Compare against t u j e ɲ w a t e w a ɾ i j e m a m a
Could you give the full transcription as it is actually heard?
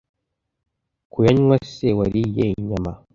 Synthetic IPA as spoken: k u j a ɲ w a s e w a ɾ i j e ɲ a m a